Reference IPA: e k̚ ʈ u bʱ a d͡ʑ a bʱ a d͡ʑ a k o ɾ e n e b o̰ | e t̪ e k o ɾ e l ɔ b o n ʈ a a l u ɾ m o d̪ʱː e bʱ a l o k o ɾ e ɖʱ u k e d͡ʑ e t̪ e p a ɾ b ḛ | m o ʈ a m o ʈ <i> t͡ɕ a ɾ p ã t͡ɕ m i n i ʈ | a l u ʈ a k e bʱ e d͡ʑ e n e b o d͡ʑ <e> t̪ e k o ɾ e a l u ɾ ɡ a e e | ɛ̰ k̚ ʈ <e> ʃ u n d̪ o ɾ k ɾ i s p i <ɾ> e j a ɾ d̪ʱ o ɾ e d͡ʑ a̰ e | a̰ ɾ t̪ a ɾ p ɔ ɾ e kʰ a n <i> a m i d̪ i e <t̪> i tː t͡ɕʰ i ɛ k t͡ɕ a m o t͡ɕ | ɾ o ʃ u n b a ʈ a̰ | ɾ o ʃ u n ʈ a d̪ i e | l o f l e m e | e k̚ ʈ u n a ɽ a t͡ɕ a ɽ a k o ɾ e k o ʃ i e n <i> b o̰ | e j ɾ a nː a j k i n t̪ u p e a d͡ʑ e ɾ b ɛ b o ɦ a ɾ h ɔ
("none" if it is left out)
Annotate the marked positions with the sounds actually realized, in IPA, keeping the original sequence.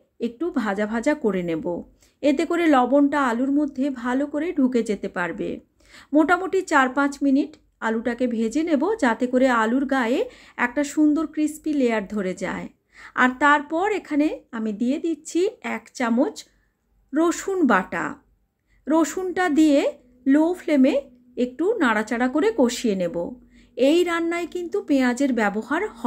i, a, a, l, e, d̪, e

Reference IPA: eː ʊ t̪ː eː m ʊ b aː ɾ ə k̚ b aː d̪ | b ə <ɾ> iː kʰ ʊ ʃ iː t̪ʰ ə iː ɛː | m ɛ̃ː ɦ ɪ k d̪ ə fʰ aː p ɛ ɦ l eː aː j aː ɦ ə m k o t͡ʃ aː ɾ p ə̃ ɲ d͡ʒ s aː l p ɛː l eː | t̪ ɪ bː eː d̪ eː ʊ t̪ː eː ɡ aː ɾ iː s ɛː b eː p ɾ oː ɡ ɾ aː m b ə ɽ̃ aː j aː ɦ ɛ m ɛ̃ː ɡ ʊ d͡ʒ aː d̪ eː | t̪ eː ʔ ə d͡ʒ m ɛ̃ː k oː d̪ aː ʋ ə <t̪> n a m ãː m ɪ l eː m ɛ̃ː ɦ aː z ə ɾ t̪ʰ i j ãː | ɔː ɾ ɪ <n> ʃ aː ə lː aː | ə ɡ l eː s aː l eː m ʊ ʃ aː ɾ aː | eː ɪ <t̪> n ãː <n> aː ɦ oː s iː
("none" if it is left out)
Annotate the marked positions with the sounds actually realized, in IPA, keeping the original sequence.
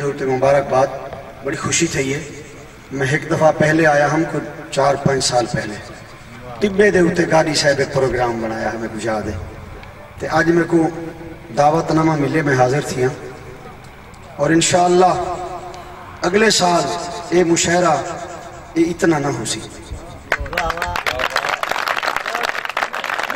ɽ, t̪, n, t̪, n

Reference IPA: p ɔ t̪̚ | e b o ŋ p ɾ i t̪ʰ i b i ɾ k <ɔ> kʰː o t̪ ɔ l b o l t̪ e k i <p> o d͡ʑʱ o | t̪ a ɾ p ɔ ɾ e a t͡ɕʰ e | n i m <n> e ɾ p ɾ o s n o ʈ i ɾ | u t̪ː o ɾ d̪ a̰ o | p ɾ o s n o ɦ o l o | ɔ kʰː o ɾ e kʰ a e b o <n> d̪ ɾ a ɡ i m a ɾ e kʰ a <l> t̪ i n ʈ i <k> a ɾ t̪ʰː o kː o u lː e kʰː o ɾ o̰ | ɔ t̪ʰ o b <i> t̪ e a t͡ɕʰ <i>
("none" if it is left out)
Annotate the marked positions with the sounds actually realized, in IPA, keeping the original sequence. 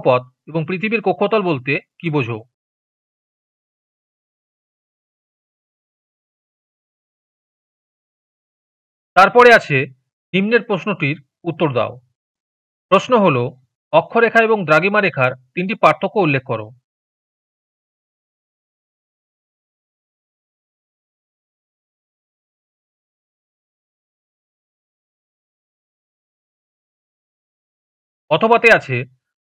o, b, n, ŋ, ɾ, p, a, e

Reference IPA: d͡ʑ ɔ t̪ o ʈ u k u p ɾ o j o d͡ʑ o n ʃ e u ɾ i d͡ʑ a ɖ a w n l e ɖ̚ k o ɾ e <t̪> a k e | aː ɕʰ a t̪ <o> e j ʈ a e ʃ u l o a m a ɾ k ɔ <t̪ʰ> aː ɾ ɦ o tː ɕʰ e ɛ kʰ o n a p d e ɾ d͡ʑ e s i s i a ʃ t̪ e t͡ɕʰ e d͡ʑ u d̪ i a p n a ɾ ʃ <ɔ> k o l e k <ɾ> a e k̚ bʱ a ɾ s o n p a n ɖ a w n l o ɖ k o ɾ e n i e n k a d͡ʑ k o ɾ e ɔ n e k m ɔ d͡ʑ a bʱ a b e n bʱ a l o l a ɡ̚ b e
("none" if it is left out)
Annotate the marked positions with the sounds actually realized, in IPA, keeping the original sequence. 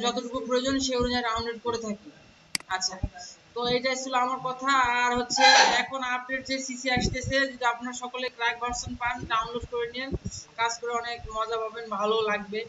t̪ʰ, o, t̪ʰ, ɔ, ɾ

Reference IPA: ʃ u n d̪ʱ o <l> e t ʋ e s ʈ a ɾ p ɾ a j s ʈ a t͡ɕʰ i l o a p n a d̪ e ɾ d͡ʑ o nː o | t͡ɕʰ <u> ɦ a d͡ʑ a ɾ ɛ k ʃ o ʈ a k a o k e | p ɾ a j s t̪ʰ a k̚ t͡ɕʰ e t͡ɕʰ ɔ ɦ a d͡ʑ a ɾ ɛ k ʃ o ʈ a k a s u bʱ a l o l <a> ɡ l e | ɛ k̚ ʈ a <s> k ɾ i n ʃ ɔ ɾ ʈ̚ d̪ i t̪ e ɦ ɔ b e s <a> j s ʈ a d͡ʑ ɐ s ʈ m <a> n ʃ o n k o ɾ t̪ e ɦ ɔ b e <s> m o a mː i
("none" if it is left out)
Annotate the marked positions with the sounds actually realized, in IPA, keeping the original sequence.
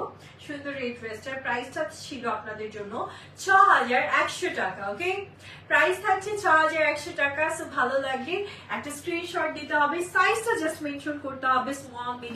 ɾ, ɔ, a, s, a, e, s

